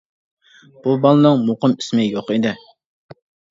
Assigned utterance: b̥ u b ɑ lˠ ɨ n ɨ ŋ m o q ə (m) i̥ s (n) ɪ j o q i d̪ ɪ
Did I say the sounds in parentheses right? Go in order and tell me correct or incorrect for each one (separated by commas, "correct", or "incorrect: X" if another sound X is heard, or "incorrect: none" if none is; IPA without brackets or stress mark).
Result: correct, incorrect: m